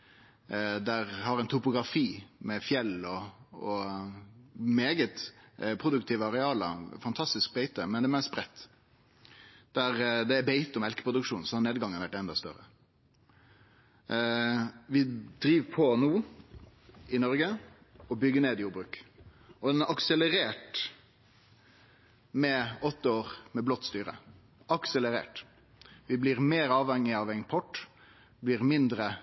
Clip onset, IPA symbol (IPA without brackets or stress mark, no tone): d̪